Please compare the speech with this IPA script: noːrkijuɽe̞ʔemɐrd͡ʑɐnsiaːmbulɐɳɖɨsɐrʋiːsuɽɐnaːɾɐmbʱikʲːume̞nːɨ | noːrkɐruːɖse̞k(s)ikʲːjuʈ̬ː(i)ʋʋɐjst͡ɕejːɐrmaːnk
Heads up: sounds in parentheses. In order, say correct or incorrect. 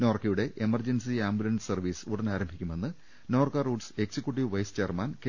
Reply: correct, correct

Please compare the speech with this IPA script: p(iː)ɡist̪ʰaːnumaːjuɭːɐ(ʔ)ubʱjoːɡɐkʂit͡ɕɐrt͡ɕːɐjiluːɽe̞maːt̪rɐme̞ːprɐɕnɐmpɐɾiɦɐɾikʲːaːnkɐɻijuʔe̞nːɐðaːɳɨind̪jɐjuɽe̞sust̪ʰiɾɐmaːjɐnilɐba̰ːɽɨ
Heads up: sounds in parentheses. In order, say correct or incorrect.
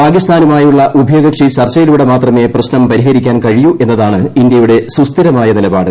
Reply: incorrect: aː, correct

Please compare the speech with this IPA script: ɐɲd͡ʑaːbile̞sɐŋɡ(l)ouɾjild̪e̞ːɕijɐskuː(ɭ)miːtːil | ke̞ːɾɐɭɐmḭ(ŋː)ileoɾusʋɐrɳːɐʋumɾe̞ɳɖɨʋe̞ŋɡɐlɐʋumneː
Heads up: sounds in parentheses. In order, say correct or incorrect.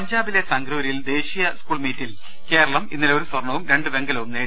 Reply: incorrect: ɾ, correct, incorrect: nː

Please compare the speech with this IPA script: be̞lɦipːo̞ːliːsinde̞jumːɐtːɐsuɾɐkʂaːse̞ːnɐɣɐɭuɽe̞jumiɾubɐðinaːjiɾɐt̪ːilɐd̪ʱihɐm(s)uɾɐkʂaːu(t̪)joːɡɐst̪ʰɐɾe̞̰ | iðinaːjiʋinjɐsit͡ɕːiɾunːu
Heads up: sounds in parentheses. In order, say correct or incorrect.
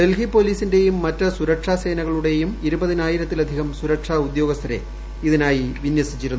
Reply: correct, incorrect: d̪

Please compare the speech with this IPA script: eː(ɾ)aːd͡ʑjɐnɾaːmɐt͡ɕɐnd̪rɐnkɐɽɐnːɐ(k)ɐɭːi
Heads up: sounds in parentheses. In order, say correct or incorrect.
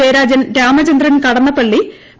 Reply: correct, incorrect: p

